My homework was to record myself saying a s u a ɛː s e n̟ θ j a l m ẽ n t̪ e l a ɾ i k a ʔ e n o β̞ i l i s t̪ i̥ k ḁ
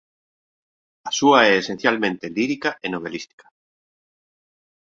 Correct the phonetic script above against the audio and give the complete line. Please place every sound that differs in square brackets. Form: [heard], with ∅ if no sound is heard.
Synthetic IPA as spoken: a s u a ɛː s e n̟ θ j a l m ẽ n t̪ e l [i] ɾ i k a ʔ e n o β̞ [e] l i s t̪ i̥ k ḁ